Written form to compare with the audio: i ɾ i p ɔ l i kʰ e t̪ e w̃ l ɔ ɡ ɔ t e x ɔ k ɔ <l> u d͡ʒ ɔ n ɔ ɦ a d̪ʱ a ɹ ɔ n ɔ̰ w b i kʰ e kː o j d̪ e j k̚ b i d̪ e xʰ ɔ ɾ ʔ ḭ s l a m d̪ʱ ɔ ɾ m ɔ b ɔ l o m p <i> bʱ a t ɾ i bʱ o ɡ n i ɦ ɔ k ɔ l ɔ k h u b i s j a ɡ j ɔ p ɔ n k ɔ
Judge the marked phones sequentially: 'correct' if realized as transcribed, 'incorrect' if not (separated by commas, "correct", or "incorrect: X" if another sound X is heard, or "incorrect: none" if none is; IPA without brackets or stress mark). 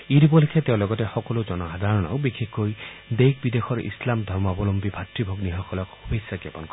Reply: correct, correct